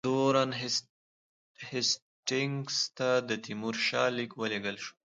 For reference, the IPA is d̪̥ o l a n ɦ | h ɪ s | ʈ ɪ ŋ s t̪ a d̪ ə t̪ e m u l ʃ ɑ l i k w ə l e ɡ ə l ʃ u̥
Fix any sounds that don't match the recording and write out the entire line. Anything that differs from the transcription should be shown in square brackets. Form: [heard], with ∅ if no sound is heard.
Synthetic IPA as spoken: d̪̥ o [ɾ] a n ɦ | h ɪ s | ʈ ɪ ŋ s t̪ a d̪ ə t̪ [i] m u [ɾ] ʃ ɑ l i k w ə l e ɡ ə l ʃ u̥